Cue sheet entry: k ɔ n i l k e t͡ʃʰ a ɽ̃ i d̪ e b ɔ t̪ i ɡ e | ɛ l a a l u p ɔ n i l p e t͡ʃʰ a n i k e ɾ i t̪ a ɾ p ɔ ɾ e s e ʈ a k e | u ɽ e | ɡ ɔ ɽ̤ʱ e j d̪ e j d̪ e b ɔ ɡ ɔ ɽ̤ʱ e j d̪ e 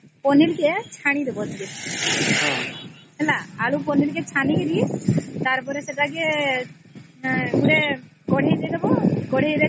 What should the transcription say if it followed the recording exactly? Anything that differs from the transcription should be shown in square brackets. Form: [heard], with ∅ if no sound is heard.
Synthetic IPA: [p] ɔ n i l k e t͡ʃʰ a ɽ̃ i d̪ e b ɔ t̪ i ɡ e | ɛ l a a l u p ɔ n i l [k] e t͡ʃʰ a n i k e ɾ i t̪ a ɾ p ɔ ɾ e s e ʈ a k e | u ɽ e | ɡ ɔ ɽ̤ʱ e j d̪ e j d̪ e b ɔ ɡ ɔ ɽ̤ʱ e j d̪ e

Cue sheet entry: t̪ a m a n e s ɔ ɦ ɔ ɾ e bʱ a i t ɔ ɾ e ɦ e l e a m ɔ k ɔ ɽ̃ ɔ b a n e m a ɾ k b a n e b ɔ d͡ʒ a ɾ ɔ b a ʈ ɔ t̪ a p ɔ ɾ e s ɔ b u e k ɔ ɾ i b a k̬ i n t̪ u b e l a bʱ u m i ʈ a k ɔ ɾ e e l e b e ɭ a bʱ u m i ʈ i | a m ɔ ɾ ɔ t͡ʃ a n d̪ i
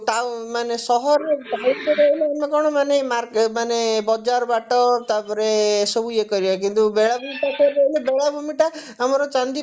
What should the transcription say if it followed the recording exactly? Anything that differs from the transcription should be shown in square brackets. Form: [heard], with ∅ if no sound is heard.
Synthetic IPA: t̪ a m a n e s ɔ ɦ ɔ ɾ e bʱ a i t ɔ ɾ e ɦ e l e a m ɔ k ɔ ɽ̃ ɔ [m] a n e m a ɾ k [m] a n e b ɔ d͡ʒ a ɾ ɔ b a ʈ ɔ t̪ a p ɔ ɾ e s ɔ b u e k ɔ ɾ i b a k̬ i n t̪ u b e [ɭ] a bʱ u m i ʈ a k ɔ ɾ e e l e b e ɭ a bʱ u m i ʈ [a] | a m ɔ ɾ ɔ t͡ʃ a n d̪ i

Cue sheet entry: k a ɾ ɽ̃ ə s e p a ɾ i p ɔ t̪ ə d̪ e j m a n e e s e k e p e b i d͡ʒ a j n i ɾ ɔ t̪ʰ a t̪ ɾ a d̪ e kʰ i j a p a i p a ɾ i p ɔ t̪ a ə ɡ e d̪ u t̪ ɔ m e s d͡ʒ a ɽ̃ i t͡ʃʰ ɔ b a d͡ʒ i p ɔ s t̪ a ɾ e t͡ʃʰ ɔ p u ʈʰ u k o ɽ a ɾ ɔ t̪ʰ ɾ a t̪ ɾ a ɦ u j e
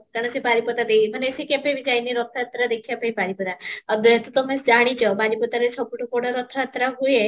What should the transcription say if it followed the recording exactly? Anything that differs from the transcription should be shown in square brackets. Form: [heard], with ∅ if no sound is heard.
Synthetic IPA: k a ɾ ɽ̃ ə s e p a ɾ i p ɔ t̪ [a] d̪ e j m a n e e s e k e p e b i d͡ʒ a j n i ɾ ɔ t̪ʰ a t̪ ɾ a d̪ e kʰ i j a p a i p a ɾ i p ɔ t̪ a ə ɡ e [t̪] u t̪ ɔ m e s d͡ʒ a ɽ̃ i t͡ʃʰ ɔ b a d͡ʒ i p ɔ [∅] t̪ a ɾ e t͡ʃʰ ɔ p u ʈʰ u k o ɽ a ɾ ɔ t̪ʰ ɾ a t̪ ɾ a ɦ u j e

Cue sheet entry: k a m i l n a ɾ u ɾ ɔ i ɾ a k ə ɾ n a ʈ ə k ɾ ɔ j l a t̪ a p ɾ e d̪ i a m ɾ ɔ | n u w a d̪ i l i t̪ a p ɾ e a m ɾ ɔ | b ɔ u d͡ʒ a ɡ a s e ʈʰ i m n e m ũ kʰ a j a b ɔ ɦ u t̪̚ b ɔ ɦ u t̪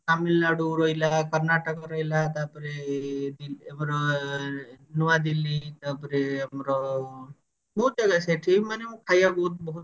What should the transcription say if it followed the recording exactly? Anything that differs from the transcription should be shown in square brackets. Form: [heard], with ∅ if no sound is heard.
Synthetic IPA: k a m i l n a [ɽ] u ɾ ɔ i [l] a k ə ɾ n a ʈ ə k ɾ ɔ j l a t̪ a p ɾ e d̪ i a m ɾ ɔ | n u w a d̪ i l i t̪ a p ɾ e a m ɾ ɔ | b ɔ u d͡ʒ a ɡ a s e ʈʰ i m n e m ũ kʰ a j a b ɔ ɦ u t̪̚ b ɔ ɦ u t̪

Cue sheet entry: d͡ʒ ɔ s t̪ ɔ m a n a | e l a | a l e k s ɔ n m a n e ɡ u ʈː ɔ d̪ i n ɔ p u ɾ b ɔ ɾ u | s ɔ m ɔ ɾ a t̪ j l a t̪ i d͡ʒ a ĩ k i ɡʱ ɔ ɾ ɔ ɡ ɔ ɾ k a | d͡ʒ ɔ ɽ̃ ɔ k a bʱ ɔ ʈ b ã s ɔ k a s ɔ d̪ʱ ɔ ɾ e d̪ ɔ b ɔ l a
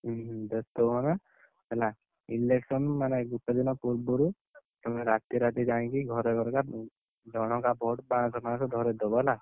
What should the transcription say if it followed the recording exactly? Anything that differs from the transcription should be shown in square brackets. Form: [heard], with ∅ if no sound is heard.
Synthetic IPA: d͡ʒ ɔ s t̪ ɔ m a n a | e l a | [i] l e k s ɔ n m a n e ɡ u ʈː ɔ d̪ i n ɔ p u ɾ b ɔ ɾ u | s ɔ m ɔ ɾ a t̪ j [ɾ] a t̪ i d͡ʒ a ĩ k i ɡʱ ɔ ɾ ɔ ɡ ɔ ɾ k a | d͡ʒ ɔ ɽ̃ ɔ k a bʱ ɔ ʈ b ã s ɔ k a s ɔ d̪ʱ ɔ ɾ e d̪ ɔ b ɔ l a

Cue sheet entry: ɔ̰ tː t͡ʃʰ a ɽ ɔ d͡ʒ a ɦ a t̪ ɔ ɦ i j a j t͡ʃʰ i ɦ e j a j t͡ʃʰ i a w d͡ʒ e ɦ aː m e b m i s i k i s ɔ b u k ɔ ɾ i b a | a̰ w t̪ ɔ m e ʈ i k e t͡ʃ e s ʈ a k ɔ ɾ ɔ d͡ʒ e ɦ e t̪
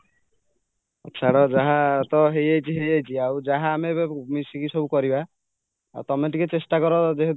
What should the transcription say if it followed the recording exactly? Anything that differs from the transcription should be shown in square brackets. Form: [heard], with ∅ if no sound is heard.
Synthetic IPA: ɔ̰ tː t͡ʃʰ a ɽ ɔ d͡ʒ a ɦ a t̪ ɔ ɦ [e] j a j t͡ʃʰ i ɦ e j a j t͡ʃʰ i a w d͡ʒ [a] ɦ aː m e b m i s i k i s ɔ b u k ɔ ɾ i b a | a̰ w t̪ ɔ m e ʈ i k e t͡ʃ e s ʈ a k ɔ ɾ ɔ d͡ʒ e ɦ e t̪

